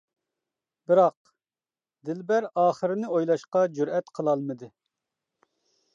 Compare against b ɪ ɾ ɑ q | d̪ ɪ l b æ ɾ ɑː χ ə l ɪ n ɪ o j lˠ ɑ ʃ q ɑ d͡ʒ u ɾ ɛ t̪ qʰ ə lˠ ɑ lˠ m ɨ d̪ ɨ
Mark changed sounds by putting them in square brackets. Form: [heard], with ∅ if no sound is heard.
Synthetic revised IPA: b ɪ ɾ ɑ q | d̪ ɪ l b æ ɾ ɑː χ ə [ɾ] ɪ n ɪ o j lˠ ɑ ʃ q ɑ d͡ʒ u ɾ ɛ t̪ qʰ ə lˠ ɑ lˠ m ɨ d̪ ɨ